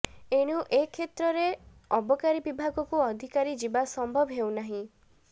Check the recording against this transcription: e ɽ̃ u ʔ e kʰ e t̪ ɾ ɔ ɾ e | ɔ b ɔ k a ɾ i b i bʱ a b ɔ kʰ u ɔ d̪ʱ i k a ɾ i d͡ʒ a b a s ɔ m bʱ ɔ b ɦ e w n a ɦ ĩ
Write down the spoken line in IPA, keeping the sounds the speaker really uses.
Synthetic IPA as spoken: e ɽ̃ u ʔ e kʰ e t̪ ɾ ɔ ɾ e | ɔ b ɔ k a ɾ i b i bʱ a ɡ ɔ k u ɔ d̪ʱ i k a ɾ i d͡ʒ i b a s ɔ m bʱ ɔ b ɦ e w n a ɦ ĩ